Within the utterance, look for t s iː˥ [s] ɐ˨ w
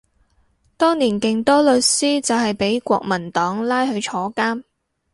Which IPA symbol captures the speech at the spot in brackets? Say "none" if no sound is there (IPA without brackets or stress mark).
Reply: t͡s